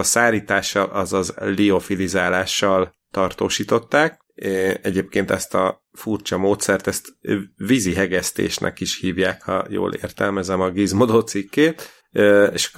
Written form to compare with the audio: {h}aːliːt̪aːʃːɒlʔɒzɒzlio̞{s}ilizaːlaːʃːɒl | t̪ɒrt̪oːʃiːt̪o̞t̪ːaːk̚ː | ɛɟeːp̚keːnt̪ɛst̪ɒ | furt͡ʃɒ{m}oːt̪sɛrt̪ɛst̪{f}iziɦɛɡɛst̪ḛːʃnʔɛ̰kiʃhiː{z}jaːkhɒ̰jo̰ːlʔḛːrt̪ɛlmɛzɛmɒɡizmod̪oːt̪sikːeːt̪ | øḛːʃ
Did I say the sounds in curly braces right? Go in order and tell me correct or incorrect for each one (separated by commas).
incorrect, incorrect, correct, incorrect, incorrect